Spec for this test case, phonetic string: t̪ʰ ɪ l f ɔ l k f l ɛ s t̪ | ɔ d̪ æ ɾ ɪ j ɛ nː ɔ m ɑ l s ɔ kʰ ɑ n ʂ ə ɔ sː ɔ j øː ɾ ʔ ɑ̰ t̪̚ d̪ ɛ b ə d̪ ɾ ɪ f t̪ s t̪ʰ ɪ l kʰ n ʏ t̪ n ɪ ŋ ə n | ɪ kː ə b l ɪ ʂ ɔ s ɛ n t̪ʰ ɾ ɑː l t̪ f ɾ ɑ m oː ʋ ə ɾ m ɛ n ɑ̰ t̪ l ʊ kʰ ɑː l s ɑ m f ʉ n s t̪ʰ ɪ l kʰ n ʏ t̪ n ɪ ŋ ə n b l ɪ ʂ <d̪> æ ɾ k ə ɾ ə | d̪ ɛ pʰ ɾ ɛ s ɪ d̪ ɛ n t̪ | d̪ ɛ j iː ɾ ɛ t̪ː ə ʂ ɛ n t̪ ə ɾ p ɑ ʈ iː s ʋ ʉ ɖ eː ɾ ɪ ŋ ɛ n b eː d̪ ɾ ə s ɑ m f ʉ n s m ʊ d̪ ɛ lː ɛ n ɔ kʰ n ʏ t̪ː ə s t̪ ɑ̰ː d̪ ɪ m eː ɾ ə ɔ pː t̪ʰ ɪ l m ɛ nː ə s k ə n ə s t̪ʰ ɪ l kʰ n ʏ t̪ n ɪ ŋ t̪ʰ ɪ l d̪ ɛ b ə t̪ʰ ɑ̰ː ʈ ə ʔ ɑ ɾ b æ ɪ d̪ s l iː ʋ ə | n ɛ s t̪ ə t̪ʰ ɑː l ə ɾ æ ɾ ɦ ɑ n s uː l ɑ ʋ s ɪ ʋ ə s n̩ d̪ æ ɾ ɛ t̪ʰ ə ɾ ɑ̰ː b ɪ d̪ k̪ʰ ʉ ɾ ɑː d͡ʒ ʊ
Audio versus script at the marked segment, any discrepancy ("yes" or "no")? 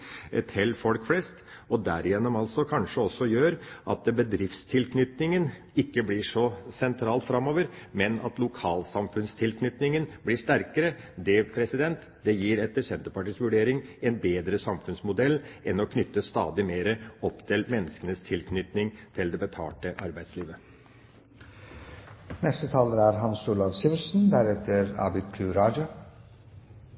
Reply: yes